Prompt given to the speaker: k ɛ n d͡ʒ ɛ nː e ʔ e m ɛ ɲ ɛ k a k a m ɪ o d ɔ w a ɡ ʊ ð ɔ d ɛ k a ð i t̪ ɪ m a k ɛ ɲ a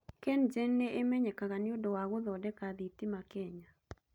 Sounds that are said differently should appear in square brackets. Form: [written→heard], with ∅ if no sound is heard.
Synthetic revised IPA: k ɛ n d͡ʒ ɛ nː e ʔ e m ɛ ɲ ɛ k a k a [m→n] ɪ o d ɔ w a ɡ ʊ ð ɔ d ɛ k a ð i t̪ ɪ m a k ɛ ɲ a